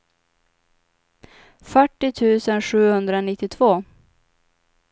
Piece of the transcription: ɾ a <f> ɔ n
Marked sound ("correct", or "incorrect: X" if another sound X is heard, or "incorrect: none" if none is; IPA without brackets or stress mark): incorrect: none